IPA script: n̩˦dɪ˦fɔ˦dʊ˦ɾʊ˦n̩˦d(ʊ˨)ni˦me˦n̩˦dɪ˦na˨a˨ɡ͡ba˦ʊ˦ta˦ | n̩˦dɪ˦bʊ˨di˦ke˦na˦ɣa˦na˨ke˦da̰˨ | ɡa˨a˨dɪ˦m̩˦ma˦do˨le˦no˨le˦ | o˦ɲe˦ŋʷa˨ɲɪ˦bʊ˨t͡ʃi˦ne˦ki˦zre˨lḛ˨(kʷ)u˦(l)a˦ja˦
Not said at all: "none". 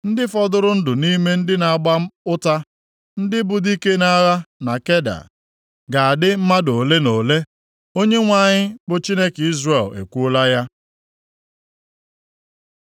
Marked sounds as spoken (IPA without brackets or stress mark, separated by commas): ʊ˨, kʷ, l